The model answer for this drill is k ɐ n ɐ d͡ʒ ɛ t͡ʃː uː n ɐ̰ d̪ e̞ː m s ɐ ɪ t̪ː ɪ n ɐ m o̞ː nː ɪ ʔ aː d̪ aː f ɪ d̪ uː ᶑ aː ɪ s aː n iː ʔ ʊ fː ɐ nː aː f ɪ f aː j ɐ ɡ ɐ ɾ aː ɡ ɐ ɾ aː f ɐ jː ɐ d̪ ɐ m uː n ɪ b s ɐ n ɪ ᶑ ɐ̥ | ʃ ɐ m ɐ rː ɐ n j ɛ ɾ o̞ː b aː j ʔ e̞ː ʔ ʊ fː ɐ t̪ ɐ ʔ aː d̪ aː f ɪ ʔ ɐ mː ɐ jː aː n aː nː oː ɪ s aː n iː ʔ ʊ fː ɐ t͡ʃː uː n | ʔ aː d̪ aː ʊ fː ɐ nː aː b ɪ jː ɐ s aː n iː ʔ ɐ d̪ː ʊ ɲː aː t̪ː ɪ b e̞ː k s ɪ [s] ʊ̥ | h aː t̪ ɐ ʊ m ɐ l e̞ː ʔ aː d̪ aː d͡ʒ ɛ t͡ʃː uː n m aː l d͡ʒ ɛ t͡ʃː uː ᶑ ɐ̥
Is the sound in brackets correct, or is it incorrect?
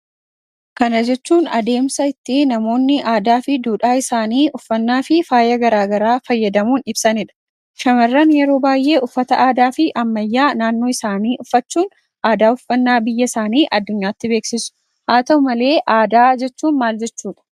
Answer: correct